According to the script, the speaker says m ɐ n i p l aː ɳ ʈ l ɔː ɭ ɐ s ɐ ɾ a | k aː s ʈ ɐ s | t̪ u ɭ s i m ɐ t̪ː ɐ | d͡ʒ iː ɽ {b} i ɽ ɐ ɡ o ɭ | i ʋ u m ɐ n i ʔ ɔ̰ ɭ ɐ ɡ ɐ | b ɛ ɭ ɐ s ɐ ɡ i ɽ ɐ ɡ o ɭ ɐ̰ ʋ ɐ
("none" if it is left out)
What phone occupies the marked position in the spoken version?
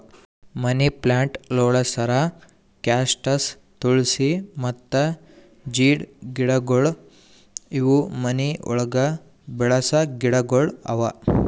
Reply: ɡ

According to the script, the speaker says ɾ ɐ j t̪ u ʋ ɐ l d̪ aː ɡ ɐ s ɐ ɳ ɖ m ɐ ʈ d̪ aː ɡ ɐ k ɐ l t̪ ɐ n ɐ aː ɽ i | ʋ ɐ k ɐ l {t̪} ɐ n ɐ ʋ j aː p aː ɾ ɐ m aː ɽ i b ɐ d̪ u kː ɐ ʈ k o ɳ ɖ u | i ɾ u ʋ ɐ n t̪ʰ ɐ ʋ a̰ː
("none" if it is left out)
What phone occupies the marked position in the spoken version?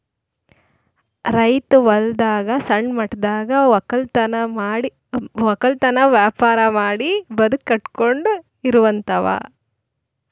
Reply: t̪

